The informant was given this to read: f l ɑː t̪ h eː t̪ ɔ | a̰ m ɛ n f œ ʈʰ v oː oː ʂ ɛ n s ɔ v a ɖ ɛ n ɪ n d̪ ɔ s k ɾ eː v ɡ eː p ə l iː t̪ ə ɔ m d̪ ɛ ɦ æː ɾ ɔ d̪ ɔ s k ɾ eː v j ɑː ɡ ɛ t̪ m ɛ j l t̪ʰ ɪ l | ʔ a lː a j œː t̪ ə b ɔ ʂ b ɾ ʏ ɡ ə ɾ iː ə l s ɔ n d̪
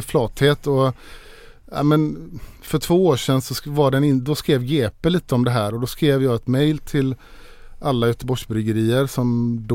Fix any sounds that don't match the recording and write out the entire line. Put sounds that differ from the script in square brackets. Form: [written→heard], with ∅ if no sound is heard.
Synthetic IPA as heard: f l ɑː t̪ h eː t̪ ɔ | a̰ m ɛ n f œ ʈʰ v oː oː ʂ ɛ n s ɔ v a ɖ ɛ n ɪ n d̪ ɔ s k ɾ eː v ɡ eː p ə l iː t̪ ə ɔ m d̪ ɛ ɦ æː ɾ ɔ d̪ ɔ s k ɾ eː v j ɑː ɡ ɛ t̪ m ɛ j l t̪ʰ ɪ l | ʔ a lː a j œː t̪ ə b ɔ ʂ b ɾ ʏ ɡ ə ɾ iː ə [l→ɾ] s ɔ [n→m] d̪